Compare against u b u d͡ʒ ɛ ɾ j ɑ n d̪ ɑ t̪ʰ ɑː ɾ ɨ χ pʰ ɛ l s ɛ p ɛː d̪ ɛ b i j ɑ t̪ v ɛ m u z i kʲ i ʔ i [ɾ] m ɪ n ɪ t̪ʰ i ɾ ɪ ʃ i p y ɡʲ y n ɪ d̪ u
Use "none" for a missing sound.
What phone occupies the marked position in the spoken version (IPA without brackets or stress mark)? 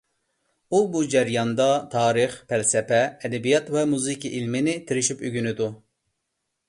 l